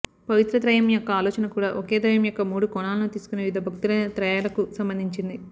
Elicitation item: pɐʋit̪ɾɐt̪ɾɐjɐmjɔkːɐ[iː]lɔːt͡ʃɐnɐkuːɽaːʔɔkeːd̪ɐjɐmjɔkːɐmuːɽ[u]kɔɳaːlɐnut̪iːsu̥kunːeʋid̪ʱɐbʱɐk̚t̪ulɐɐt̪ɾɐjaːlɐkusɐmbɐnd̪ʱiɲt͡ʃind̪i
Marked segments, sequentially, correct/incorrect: incorrect, correct

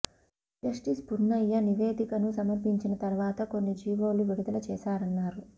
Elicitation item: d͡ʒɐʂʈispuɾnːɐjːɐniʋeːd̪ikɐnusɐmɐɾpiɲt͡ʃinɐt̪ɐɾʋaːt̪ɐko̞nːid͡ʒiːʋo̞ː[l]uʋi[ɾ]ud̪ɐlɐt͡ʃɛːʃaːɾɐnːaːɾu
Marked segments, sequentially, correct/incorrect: correct, incorrect

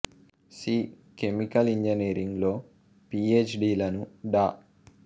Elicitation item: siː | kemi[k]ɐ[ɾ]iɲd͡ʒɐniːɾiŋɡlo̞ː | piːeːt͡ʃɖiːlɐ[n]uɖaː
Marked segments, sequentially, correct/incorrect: correct, incorrect, correct

